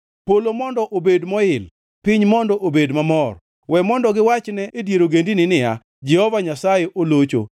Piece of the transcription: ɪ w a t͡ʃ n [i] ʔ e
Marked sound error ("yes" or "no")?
yes